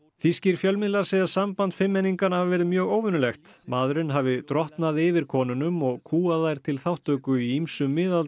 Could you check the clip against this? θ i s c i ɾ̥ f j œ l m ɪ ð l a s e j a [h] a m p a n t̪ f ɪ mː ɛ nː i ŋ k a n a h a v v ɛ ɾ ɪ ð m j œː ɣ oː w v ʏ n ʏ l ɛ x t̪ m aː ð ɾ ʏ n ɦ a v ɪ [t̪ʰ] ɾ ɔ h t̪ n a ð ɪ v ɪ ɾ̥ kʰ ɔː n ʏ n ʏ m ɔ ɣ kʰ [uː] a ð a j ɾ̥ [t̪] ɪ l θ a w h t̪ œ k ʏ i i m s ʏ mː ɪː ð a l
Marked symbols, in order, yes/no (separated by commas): no, no, yes, no